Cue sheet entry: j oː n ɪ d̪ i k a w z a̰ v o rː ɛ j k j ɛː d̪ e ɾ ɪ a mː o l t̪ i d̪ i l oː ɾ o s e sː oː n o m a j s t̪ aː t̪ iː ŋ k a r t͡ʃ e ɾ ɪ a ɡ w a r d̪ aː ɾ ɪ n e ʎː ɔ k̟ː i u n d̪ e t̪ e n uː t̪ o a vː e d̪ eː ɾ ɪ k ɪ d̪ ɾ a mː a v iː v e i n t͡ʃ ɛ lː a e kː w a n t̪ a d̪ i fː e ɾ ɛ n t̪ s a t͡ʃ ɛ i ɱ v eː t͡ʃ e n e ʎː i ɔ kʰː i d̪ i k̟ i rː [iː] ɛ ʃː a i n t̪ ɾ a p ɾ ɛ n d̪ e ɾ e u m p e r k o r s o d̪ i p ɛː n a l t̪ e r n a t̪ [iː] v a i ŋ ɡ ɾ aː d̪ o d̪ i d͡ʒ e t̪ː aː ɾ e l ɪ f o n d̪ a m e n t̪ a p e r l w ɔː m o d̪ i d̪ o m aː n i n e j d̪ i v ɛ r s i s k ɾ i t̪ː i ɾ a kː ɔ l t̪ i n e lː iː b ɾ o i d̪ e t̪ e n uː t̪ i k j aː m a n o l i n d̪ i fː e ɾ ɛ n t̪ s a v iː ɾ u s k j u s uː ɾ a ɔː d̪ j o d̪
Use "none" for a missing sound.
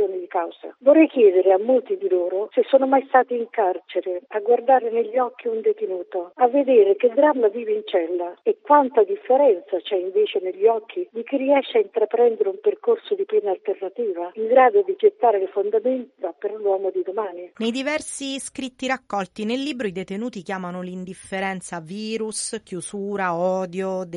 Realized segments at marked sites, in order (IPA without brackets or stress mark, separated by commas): i, iː